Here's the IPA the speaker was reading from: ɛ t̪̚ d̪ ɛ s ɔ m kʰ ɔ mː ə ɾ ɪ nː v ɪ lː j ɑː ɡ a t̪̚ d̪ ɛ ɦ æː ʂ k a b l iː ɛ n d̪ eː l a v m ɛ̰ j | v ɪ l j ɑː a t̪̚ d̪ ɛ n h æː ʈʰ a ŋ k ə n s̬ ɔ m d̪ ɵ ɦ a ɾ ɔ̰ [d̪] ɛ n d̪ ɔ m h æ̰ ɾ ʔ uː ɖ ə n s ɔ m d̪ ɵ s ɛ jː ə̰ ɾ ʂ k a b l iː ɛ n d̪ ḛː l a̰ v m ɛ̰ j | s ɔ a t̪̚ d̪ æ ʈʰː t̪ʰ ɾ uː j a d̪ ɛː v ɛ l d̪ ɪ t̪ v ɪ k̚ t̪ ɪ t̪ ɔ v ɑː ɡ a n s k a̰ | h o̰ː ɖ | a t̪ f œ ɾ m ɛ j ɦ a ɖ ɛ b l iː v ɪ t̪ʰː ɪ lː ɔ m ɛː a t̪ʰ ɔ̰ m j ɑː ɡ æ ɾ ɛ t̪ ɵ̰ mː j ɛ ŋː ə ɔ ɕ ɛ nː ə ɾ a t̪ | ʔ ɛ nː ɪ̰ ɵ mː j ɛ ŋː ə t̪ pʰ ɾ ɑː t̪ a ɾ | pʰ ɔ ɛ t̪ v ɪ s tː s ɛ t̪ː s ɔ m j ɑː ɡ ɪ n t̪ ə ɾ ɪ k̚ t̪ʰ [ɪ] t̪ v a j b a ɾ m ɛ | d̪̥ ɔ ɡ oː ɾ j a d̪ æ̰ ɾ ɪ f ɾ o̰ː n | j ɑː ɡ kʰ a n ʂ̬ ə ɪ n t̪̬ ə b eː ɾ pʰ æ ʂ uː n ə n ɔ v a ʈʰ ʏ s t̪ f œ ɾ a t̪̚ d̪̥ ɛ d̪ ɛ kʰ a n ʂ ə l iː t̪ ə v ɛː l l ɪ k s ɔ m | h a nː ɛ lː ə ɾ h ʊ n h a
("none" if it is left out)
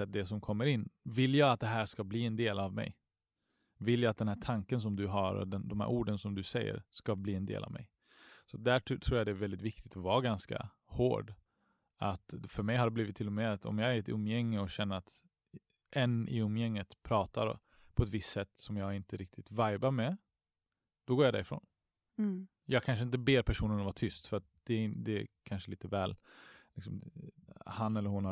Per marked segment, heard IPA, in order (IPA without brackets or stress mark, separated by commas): d̪, ɪ